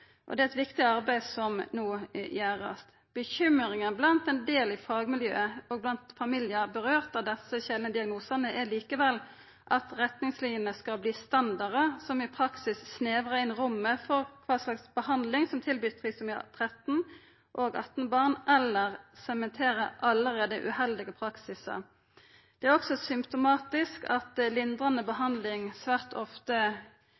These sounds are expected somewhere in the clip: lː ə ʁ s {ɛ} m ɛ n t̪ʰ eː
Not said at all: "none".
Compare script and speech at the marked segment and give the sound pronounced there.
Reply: ɛ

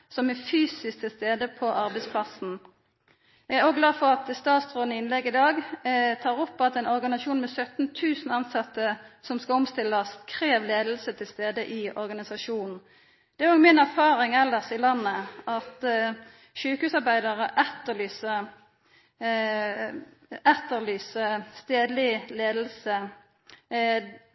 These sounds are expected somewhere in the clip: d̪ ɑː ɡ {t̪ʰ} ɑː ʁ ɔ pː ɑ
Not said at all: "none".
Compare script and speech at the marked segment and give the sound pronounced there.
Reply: t̪ʰ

